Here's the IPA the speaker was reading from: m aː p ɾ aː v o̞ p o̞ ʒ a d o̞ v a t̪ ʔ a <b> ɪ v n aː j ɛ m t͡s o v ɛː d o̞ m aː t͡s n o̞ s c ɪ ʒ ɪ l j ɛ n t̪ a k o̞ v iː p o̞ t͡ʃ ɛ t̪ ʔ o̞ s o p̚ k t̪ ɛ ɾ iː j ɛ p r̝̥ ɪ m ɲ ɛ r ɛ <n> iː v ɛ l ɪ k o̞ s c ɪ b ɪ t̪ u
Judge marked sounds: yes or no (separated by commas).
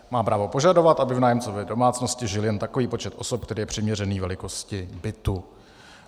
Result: yes, yes